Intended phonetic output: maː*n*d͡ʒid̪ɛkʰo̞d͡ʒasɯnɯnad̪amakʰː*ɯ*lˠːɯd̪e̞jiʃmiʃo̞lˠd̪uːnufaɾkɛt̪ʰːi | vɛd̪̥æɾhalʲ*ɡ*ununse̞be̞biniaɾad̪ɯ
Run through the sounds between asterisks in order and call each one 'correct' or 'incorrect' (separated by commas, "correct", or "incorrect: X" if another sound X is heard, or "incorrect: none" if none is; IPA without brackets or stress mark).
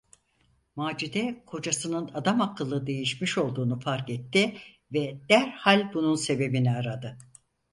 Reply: incorrect: none, correct, incorrect: b